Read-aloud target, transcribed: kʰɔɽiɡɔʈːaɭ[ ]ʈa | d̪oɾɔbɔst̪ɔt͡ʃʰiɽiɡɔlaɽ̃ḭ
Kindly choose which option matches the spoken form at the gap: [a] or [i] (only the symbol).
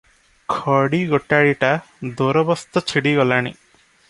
i